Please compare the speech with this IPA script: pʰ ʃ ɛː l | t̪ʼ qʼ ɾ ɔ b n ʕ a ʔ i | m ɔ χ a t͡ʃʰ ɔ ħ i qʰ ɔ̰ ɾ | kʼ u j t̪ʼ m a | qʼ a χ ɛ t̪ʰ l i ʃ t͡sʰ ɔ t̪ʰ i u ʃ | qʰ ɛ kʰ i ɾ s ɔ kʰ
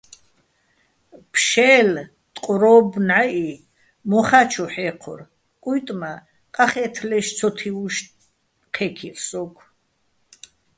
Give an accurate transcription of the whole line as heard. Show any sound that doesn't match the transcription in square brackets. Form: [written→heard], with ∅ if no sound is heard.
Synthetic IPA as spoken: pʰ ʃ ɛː l | t̪ʼ qʼ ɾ ɔ b n ʕ a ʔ i | m ɔ χ a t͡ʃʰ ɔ ħ [i→ɛ] qʰ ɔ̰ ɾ | kʼ u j t̪ʼ m a | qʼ a χ ɛ t̪ʰ l [i→ɛ] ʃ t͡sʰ ɔ t̪ʰ i u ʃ | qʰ ɛ kʰ i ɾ s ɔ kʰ